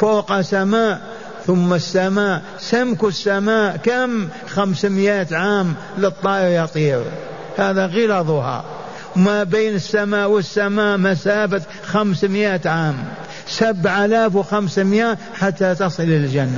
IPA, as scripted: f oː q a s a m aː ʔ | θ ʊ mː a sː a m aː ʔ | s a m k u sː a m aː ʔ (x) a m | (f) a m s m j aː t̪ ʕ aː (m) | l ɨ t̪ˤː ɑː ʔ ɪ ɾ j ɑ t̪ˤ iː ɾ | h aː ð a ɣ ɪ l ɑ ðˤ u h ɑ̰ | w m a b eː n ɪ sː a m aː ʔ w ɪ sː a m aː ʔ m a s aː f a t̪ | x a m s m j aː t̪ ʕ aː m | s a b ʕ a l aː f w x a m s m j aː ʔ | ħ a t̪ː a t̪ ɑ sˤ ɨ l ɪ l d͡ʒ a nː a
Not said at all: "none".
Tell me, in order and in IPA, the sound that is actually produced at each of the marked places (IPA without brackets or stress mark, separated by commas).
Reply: k, x, m